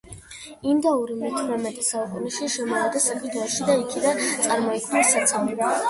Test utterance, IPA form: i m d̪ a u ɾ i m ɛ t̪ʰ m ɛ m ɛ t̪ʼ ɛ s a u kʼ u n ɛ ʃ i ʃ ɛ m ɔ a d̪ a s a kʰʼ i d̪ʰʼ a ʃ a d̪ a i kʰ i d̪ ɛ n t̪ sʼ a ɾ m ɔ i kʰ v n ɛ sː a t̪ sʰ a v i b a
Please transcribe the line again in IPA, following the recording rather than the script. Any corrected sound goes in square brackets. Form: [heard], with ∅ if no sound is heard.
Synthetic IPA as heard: i m d̪ a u ɾ i m ɛ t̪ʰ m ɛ m ɛ t̪ʼ ɛ s a u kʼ u n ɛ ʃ i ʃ ɛ m ɔ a d̪ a s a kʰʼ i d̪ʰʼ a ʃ [i] d̪ a i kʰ i d̪ [a] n t̪ sʼ a ɾ m ɔ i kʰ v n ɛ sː a t̪ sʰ a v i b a